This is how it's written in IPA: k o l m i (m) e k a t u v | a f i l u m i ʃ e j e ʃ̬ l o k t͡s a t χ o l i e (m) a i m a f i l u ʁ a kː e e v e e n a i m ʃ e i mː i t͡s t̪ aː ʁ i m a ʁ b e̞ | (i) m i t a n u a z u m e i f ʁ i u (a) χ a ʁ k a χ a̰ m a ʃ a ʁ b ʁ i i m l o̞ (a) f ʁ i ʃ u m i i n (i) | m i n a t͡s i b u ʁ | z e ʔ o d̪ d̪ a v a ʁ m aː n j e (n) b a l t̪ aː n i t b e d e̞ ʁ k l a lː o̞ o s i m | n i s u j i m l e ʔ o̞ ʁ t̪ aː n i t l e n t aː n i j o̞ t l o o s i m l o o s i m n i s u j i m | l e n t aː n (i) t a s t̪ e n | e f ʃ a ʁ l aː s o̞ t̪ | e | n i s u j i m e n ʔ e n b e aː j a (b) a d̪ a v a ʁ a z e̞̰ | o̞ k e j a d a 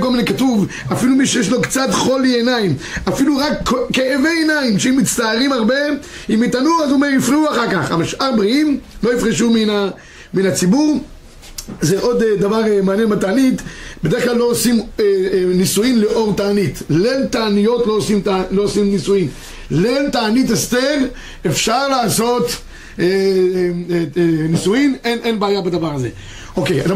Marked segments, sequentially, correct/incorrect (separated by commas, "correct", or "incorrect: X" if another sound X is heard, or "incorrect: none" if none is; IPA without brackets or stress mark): incorrect: n, incorrect: n, correct, correct, incorrect: i, incorrect: a, correct, correct, correct